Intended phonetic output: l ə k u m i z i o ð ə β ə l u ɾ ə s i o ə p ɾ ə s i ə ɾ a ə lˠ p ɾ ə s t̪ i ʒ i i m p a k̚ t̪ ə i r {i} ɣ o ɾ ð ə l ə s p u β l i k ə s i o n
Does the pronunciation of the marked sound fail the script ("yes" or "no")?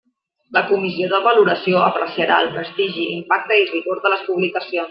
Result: no